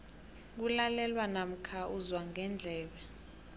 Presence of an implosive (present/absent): present